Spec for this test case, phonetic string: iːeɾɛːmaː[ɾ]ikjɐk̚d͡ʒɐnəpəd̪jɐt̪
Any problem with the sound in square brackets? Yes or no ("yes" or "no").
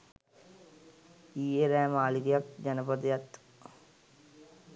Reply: yes